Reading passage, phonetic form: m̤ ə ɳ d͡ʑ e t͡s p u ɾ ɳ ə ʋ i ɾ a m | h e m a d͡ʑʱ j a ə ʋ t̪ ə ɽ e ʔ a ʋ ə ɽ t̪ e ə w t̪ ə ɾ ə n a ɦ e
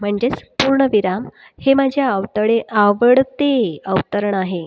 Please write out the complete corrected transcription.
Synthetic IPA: m̤ ə ɳ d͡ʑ e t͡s p u ɾ ɳ ə ʋ i ɾ a m | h e m a d͡ʑʱ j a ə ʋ t̪ ə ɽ e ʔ a ʋ ə ɽ t̪ e ə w t̪ ə ɾ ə ɳ a ɦ e